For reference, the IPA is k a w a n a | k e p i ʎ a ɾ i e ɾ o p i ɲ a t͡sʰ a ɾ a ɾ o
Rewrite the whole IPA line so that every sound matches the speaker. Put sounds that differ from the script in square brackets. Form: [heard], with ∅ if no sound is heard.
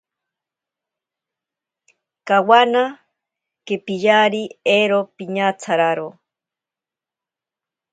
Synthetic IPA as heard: k a w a n a | k e p i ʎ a ɾ i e ɾ o p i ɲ a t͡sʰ a ɾ a ɾ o